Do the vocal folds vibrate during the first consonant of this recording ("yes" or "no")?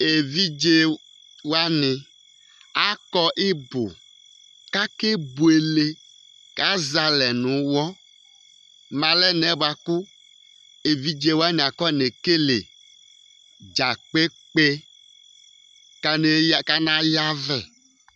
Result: yes